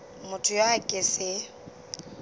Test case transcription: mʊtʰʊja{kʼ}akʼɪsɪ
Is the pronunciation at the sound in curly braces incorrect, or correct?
incorrect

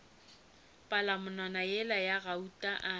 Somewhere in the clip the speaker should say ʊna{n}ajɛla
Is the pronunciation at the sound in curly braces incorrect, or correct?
correct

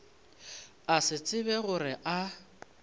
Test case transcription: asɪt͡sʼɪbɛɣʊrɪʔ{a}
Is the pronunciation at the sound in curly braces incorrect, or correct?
correct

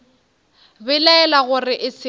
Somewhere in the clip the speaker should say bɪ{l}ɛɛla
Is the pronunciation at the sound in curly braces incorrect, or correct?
correct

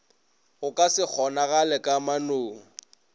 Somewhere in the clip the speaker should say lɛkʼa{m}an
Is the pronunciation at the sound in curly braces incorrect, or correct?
correct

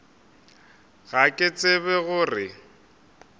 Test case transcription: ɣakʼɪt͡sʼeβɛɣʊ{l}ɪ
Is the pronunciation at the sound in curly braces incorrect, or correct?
incorrect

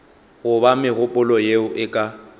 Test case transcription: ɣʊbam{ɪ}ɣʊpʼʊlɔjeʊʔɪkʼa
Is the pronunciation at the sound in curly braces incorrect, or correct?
correct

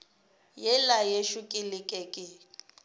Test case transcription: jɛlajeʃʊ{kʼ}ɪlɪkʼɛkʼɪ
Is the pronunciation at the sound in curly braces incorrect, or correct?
correct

